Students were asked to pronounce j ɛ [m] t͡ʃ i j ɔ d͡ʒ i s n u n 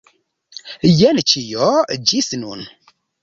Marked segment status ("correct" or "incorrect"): incorrect